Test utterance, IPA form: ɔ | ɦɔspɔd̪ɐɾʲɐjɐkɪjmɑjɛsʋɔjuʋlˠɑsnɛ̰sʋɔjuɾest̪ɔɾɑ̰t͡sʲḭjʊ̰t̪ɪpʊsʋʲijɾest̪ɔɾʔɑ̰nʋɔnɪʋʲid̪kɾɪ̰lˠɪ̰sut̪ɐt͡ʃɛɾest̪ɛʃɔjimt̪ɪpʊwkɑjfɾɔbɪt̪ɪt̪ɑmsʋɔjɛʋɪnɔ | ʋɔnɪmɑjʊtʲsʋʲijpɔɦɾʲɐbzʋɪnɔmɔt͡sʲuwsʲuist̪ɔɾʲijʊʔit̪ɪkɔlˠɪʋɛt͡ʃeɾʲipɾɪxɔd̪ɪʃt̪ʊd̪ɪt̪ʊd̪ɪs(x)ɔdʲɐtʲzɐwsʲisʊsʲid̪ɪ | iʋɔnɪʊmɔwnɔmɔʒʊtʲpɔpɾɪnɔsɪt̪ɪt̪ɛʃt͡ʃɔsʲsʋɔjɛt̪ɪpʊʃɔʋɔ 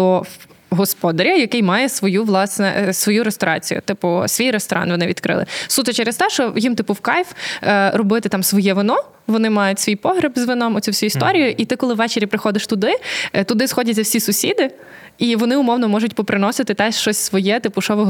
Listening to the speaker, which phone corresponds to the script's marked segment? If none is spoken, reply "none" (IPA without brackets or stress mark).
x